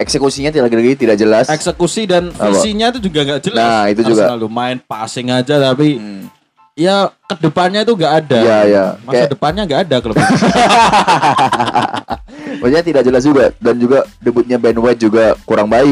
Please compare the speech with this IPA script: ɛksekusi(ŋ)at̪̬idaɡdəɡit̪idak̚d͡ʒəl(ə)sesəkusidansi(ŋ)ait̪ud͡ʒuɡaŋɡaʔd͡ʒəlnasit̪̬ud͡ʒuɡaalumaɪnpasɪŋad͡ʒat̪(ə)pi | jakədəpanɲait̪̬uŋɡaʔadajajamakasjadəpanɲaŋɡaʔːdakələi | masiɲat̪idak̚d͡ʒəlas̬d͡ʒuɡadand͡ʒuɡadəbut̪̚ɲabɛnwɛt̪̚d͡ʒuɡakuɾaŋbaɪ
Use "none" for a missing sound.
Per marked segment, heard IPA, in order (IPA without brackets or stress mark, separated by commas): ɲ, a, ɲ, a